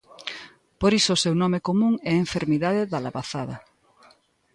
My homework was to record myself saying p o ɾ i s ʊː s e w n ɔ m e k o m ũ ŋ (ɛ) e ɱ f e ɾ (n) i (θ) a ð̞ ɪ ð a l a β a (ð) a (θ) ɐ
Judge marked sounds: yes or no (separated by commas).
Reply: yes, no, no, no, no